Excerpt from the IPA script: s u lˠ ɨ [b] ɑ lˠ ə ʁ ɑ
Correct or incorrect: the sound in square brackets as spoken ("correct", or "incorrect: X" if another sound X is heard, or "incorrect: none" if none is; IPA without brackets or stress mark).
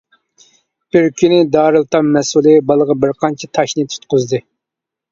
correct